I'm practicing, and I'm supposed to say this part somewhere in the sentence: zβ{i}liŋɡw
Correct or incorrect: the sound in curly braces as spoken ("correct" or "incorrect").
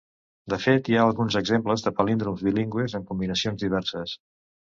correct